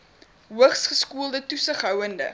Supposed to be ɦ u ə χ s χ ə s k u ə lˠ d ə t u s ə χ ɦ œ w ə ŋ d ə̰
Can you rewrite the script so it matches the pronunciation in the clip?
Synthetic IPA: ɦ u ə χ s χ ə s k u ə lˠ d ə t u s ə χ ɦ œ w ə n d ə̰